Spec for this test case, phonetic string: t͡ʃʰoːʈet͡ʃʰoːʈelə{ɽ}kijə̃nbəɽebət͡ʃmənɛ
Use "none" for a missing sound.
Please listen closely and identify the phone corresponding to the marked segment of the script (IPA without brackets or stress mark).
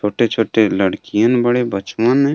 ɽ